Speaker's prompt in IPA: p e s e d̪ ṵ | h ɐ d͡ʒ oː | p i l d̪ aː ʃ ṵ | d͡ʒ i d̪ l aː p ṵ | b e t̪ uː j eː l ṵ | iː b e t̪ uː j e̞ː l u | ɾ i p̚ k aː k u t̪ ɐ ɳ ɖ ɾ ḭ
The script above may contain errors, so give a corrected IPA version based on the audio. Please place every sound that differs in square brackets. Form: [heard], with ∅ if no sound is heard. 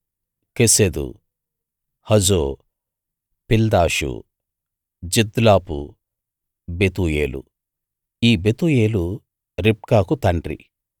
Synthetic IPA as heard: [k] e s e d̪ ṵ | h ɐ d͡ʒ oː | p i l d̪ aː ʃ ṵ | d͡ʒ i d̪ l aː p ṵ | b e t̪ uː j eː l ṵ | iː b e t̪ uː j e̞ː l u | ɾ i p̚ k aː k u t̪ ɐ ɳ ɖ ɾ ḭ